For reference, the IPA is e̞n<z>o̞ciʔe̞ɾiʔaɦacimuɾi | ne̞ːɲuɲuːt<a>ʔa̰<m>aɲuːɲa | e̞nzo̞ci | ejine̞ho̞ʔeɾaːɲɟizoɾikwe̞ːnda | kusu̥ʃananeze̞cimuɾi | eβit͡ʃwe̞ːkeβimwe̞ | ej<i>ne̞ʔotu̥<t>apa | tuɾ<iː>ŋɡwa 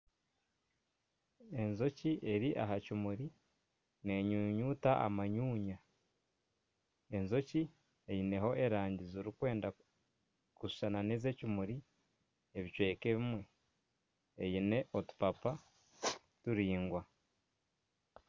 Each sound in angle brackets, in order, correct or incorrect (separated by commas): correct, correct, correct, correct, incorrect, correct